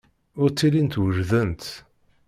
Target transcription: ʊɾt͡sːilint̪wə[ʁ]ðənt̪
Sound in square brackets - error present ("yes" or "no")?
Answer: yes